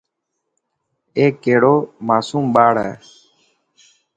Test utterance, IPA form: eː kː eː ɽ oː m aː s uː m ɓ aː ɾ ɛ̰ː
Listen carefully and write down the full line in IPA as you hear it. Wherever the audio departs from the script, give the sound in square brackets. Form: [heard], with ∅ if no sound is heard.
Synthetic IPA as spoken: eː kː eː ɽ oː m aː s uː m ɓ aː [ɽ] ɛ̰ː